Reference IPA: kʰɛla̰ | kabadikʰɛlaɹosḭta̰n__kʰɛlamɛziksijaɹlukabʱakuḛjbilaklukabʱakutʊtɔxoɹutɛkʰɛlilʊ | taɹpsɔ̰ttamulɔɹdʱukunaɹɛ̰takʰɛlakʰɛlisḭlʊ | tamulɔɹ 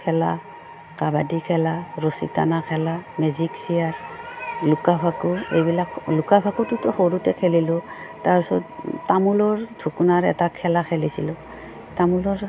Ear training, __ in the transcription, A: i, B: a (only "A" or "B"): B